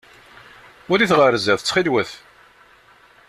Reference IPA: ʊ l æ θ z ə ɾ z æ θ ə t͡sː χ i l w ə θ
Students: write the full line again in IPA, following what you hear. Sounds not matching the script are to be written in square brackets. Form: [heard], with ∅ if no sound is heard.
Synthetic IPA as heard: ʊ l [i] θ [ʁ] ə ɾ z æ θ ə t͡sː χ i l w ə θ